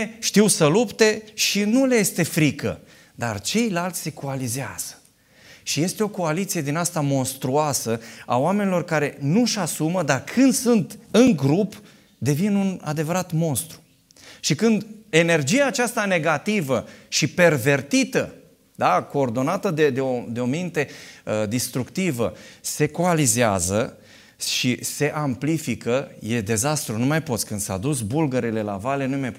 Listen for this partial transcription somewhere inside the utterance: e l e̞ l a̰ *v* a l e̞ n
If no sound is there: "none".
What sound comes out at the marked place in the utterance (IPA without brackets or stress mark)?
v